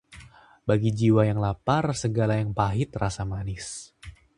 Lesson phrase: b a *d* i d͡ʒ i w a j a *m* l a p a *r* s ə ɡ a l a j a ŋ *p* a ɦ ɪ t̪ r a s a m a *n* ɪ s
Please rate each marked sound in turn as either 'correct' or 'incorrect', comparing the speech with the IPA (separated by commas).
incorrect, incorrect, correct, correct, correct